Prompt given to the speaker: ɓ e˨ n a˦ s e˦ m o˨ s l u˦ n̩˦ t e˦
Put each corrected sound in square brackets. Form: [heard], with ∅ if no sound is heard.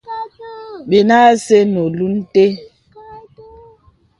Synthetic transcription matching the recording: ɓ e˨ n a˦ s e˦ [n] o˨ [∅] l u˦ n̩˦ t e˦